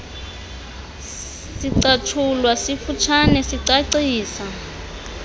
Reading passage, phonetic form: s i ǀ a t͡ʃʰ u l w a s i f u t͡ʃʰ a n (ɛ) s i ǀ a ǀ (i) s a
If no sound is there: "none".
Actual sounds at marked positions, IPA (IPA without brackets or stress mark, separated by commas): ɛ, iː